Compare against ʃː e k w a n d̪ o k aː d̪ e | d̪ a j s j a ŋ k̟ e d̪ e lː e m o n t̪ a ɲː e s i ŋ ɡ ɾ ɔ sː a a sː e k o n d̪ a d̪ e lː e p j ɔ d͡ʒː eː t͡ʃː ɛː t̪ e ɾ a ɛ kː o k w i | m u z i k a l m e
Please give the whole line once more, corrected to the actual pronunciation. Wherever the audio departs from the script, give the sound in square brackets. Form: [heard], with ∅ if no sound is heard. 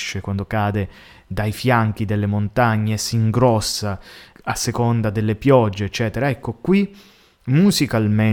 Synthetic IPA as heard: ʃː e k w a n d̪ o k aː d̪ e | d̪ a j [f] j a ŋ k̟ [i] d̪ e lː e m o n t̪ a ɲː e s i ŋ ɡ ɾ ɔ sː a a sː e k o n d̪ a d̪ e lː e p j ɔ d͡ʒː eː t͡ʃː ɛː t̪ e ɾ a ɛ kː o k w i | m u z i k a l m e